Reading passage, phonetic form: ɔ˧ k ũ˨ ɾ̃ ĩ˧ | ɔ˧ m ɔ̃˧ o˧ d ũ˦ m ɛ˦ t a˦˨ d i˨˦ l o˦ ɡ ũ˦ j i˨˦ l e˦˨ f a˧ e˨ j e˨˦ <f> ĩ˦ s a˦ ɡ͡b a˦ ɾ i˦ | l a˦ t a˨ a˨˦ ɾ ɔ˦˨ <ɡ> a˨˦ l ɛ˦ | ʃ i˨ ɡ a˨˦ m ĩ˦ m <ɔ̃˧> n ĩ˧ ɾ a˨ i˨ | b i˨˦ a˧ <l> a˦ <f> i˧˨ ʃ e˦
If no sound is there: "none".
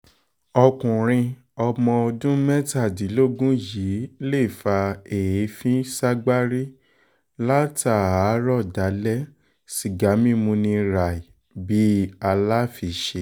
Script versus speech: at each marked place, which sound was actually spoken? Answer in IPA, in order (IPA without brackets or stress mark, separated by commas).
f, d, ũ˧, l, f